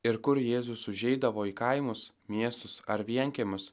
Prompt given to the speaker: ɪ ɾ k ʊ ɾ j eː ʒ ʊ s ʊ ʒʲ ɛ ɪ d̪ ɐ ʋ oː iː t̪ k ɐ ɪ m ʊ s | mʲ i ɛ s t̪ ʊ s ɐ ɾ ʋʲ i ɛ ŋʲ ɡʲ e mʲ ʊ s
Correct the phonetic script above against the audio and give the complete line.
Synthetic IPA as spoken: ɪ ɾ k ʊ ɾ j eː z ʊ s ʊ ʒʲ ɛ ɪ d̪ ɐ ʋ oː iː k ɐ ɪ m ʊ s | mʲ i ɛ s t̪ ʊ s ɐ ɾ ʋʲ i ɛ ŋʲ kʲ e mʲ ʊ s